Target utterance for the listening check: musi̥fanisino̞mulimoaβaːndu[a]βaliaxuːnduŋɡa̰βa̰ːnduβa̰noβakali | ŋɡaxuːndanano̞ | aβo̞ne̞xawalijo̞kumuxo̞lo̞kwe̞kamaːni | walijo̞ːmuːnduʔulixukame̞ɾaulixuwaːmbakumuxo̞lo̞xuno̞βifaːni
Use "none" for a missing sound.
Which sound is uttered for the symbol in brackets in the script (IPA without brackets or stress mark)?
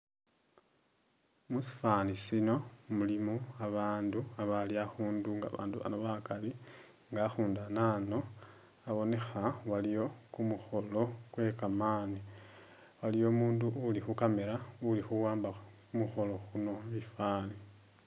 a